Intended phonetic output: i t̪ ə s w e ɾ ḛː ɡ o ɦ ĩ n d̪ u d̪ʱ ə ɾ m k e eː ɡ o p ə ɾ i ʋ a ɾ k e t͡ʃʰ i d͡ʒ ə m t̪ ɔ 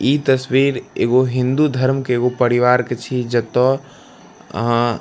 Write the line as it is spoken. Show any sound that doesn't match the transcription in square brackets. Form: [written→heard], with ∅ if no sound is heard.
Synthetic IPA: i t̪ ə s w [e→i] ɾ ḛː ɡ o ɦ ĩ n d̪ u d̪ʱ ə ɾ m k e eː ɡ o p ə ɾ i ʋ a ɾ k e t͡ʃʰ i d͡ʒ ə [m→∅] t̪ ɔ